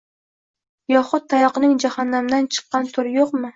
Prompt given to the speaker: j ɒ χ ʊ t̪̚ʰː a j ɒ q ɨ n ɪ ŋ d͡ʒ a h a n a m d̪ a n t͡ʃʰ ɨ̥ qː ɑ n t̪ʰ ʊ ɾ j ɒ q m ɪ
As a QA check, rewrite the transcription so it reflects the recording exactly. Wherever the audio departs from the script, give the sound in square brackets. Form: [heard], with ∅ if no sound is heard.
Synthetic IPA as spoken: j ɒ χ ʊ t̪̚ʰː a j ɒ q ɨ n ɪ ŋ d͡ʒ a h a [nː] a m d̪ a n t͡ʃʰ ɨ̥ qː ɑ n t̪ʰ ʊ ɾ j [o] q m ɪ